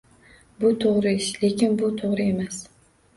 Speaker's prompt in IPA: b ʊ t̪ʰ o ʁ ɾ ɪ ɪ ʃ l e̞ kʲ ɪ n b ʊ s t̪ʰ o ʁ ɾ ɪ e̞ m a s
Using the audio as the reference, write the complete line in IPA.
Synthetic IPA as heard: b ʊ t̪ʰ o ʁ ɾ ɪ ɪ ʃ l e̞ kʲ ɪ n b ʊ t̪ʰ o ʁ ɾ ɪ e̞ m a s

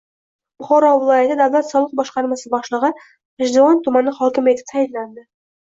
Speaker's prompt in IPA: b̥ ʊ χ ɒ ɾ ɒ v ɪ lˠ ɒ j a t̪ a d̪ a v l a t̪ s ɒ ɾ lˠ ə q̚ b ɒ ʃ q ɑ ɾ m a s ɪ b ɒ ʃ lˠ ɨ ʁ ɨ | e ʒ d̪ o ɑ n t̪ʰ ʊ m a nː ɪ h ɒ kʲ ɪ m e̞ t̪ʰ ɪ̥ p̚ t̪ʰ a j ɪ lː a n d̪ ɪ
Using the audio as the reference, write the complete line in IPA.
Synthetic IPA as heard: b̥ ʊ χ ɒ ɾ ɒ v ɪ lˠ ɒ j a t̪ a d̪ a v l a t̪ s ɒ lˠ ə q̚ b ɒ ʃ q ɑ ɾ m a s ɪ b ɒ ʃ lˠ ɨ ʁ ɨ | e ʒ d̪ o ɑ n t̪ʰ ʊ m a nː ɪ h ɒ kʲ ɪ m e̞ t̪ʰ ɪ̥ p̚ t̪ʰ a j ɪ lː a n d̪ ɪ

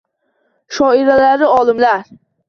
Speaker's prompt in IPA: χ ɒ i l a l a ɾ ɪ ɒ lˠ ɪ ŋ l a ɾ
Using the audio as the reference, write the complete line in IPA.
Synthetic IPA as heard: ʃ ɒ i ɾ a l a ɾ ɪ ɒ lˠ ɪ m l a ɾ

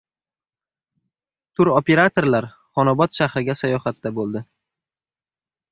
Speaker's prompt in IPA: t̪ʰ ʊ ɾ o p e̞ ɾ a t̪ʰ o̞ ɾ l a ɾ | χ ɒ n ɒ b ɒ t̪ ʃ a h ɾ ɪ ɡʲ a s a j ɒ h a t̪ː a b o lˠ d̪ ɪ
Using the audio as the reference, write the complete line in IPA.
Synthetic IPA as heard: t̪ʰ ʊ ɾ o p e̞ ɾ a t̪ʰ o̞ ɾ l a ɾ | χ ɒ n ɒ b ɒ t̪ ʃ a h ɾ ɪ ɡʲ a s a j ɒ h a t̪ː a b o lˠ d̪ ɪ

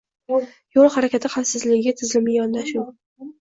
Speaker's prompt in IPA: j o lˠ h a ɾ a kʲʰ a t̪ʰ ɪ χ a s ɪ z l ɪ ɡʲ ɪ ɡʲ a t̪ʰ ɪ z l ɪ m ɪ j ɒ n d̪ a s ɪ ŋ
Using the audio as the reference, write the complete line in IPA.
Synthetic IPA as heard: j o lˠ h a ɾ a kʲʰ a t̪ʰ ɪ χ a s ɪ z l ɪ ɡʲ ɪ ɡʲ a t̪ʰ ɪ z l ɪ m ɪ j ɒ n d̪ a ʃ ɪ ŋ

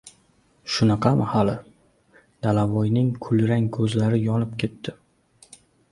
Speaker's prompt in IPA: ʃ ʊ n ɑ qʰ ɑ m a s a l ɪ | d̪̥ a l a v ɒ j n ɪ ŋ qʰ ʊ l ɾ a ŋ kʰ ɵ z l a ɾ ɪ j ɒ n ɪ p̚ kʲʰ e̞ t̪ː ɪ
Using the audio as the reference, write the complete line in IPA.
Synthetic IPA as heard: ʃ ʊ n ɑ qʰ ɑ m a h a l ɪ | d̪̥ a l a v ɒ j n ɪ ŋ kʰ ʊ l ɾ a ŋ kʰ ɵ z l a ɾ ɪ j ɒ n ɪ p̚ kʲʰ e̞ t̪ː ɪ

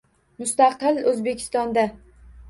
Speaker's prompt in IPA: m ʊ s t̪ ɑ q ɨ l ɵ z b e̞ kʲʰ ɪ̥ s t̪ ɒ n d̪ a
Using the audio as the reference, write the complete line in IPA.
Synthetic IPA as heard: m ʊ s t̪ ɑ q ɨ l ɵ z b e̞ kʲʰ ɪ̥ s t̪ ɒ n d̪ a

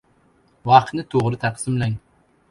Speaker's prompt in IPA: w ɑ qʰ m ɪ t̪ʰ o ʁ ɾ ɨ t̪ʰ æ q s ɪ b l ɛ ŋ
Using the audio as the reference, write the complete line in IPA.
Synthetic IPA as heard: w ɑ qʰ n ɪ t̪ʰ o ʁ ɾ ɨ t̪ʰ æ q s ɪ m l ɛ ŋ

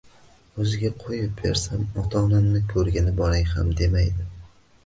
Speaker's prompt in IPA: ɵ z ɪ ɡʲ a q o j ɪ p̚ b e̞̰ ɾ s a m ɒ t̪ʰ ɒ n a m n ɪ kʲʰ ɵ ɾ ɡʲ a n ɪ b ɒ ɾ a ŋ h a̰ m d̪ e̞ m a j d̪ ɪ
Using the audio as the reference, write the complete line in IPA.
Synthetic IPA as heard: ɵ z ɪ ɡʲ a qʰ o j ɪ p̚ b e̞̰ ɾ s a m ɒ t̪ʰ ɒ n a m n ɪ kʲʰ ɵ ɾ ɡʲ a n ɪ b ɒ ɾ a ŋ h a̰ m d̪ e̞ m a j d̪ ɪ

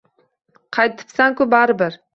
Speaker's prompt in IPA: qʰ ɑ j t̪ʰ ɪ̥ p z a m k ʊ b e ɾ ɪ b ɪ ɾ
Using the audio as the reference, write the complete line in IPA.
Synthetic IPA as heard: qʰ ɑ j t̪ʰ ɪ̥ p s a ŋ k ʊ b a ɾ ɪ b ɪ ɾ

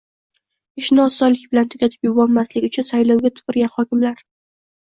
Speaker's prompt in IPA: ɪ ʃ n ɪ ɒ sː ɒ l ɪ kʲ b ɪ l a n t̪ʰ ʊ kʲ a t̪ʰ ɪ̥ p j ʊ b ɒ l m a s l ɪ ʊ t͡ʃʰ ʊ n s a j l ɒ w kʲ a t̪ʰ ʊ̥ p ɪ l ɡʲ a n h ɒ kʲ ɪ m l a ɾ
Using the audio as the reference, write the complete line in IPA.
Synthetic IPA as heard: ɪ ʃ n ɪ ɒ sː ɒ l ɪ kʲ b ɪ l a n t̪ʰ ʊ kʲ a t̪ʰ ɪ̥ p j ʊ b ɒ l m a s l ɪ ʊ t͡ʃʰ ʊ n s a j l ɒ w ɡʲ a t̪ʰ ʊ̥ p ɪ ɾ ɡʲ a n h ɒ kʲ ɪ m l a ɾ

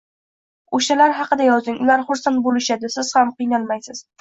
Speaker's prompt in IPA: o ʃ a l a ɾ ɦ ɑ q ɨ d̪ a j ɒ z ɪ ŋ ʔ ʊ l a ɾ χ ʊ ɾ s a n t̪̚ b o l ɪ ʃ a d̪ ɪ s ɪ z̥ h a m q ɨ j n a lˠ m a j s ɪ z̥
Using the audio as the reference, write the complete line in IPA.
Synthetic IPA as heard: o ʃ a l a ɾ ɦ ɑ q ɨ d̪ a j ɒ z ɪ ŋ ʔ ʊ l a ɾ χ ʊ ɾ s a n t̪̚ b o l ɪ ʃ a d̪ ɪ s ɪ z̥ h a m q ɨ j n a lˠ m a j s ɪ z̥

